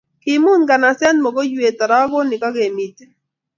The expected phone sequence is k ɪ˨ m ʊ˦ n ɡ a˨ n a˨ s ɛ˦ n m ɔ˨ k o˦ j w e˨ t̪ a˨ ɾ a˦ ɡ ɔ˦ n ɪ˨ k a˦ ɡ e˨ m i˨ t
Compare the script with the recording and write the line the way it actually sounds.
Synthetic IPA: k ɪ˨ m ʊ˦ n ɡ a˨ n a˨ s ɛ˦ n m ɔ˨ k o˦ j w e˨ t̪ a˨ ɾ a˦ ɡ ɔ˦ n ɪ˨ k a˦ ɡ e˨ m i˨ t